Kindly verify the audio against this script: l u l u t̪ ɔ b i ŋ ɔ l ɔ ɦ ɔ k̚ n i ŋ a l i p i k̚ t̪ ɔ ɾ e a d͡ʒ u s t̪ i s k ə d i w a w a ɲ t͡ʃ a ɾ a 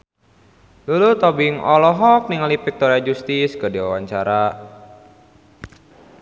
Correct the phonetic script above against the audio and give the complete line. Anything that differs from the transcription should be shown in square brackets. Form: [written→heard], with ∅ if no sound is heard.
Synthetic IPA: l u l u t̪ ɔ b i ŋ ɔ l ɔ ɦ ɔ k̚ n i ŋ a l i p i k̚ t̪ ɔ ɾ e a d͡ʒ u s t̪ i s k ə d i w a w a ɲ t͡ʃ a ɾ a